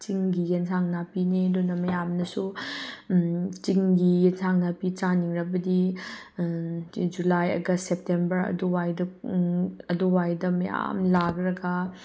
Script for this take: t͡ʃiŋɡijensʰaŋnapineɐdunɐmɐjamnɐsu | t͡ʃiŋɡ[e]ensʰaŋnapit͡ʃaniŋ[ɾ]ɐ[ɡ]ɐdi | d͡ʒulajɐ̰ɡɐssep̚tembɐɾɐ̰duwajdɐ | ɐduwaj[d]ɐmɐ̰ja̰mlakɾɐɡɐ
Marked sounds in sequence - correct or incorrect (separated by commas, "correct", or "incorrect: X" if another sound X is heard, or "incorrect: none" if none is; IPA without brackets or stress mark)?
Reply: incorrect: i, correct, incorrect: b, correct